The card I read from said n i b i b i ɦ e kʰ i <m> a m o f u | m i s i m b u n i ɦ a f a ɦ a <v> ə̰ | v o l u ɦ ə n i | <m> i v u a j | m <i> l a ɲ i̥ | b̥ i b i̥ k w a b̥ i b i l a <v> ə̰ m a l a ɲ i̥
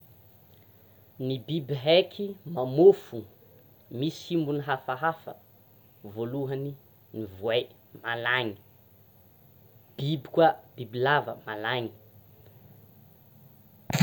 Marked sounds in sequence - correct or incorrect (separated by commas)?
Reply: correct, incorrect, incorrect, incorrect, correct